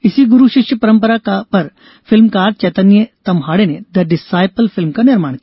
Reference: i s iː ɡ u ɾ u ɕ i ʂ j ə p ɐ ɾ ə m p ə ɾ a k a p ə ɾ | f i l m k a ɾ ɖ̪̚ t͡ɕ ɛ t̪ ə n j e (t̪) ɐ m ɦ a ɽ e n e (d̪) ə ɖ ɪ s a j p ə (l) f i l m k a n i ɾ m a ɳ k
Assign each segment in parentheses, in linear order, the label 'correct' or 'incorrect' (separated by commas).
correct, correct, correct